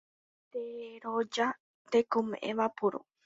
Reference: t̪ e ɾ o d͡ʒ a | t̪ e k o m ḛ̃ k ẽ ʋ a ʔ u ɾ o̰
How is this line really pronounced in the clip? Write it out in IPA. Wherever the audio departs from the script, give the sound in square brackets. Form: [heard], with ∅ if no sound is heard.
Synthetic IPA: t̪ e ɾ o d͡ʒ a | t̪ e k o m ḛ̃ [ʔ] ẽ ʋ a [p] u ɾ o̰